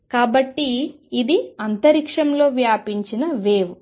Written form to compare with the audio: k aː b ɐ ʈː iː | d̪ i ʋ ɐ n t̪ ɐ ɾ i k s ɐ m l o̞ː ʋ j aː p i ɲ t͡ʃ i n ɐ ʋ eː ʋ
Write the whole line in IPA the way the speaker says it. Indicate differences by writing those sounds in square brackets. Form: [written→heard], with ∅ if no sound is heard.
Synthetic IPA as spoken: k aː b ɐ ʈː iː | d̪ i [ʋ→∅] ɐ n t̪ ɐ ɾ i k [s→ʂ] ɐ m l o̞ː ʋ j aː p i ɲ t͡ʃ i n ɐ ʋ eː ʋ